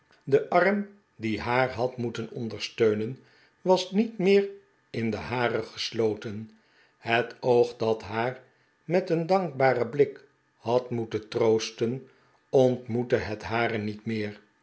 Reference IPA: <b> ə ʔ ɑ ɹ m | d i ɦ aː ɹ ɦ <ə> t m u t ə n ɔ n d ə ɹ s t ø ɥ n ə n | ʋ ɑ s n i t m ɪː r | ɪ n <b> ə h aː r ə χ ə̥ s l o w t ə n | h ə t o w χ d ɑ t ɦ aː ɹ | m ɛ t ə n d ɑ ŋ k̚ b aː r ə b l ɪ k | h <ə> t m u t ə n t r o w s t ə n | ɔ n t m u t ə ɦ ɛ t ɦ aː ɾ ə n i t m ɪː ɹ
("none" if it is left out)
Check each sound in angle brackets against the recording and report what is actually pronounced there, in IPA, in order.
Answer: d, ɑ, d, ɑ

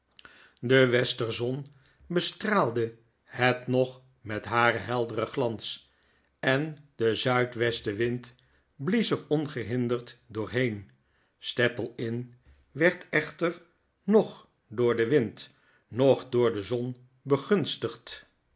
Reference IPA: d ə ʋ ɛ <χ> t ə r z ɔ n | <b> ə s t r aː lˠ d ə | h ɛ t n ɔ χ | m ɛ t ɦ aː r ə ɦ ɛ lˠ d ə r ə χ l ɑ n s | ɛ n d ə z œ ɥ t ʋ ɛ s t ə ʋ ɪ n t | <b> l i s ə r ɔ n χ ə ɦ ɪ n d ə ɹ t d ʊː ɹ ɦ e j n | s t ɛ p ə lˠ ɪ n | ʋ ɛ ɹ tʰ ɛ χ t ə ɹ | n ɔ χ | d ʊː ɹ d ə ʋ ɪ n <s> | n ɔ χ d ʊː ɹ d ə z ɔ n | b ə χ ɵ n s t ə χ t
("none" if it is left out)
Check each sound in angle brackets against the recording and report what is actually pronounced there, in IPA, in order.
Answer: s, b, b, t

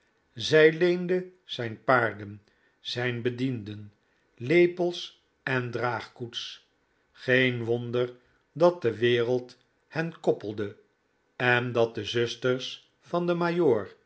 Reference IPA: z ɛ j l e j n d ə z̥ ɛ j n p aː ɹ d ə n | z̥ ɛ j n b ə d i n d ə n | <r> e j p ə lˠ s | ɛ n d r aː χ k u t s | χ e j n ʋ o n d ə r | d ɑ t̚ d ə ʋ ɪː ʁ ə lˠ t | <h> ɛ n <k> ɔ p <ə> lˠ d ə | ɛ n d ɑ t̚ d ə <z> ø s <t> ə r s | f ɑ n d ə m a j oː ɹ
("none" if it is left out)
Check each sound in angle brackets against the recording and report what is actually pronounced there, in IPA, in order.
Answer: l, h, k, ə, z, t

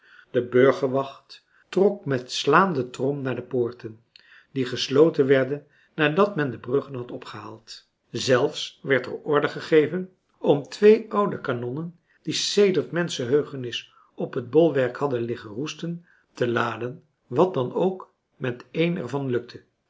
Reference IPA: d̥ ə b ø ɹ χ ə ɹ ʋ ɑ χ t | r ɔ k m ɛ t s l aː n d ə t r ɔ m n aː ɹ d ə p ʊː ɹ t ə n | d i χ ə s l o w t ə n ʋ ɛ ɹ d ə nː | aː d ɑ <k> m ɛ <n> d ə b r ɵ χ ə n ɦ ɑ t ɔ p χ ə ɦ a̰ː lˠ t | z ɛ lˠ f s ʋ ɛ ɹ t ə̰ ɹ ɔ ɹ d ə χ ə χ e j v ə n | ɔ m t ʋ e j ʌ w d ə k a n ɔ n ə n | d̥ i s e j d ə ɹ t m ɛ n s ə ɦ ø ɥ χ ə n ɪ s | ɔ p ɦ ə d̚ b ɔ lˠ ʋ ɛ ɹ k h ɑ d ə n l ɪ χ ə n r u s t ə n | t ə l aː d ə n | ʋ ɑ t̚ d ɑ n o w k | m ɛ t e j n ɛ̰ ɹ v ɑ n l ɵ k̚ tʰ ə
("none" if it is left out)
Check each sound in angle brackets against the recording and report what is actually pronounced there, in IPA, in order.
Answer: t, n

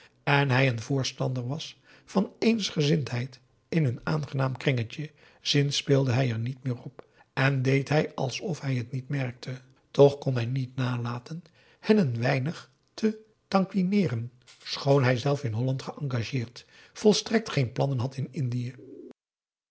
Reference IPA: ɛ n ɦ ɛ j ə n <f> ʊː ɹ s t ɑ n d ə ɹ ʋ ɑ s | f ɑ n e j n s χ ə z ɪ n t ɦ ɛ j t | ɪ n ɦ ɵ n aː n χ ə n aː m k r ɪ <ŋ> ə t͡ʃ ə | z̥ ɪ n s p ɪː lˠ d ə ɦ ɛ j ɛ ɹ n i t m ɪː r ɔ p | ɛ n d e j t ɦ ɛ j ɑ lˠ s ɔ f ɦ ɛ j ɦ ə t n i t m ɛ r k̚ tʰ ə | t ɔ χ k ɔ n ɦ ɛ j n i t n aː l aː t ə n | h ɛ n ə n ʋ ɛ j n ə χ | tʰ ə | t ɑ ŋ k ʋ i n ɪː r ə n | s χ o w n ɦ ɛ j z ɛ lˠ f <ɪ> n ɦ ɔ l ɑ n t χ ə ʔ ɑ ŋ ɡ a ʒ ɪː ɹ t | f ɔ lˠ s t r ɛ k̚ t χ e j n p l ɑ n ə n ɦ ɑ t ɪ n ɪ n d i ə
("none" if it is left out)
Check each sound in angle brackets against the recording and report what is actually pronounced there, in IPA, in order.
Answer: v, ŋ, ɪ

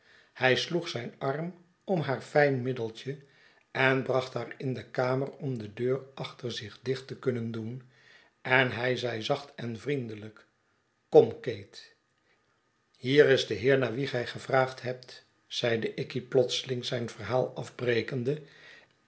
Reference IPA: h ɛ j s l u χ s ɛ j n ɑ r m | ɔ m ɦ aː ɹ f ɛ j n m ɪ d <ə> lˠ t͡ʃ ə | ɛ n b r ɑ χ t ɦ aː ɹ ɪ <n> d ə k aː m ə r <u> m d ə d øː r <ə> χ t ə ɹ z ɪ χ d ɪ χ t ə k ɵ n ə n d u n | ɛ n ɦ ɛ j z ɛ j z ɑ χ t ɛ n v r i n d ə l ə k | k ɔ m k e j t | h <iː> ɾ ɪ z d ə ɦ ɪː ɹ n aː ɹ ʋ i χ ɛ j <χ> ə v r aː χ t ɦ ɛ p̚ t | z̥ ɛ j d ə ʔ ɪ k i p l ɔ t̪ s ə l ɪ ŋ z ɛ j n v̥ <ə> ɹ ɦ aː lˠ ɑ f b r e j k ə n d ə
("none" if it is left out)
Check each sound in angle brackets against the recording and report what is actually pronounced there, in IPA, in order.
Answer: ə, n, ɔ, ɑ, iː, χ, ə

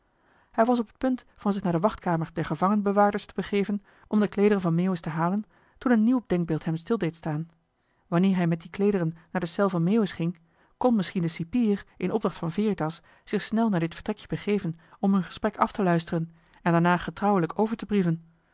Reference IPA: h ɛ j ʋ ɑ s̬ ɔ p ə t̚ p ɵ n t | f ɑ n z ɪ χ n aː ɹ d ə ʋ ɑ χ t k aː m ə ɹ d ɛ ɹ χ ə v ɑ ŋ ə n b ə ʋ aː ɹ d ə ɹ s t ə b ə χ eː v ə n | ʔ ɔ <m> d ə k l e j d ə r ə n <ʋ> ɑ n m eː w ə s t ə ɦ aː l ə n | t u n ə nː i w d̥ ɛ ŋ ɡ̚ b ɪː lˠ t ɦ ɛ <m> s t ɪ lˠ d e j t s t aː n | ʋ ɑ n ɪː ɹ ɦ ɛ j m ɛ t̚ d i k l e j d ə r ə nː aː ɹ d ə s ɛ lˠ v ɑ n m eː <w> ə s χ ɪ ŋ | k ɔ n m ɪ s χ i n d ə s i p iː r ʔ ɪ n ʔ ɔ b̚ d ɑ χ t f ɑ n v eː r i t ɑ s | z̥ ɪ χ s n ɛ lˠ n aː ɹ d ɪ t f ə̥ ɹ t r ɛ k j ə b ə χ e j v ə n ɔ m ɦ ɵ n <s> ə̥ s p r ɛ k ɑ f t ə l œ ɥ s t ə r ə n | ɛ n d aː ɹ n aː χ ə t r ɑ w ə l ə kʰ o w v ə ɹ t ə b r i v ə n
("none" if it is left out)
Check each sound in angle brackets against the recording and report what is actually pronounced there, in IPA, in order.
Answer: m, v, m, w, χ

